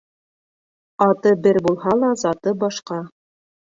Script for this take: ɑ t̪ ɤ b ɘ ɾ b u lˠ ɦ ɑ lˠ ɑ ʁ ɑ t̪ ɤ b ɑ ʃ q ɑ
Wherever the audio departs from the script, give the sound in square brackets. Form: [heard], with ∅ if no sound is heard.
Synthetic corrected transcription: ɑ t̪ ɤ b ɘ ɾ b u lˠ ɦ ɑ lˠ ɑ [z] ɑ t̪ ɤ b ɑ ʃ q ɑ